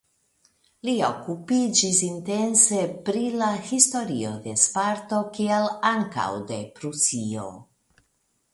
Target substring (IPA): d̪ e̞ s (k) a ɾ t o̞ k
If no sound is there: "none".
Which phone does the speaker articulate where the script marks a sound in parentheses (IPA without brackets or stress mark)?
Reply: p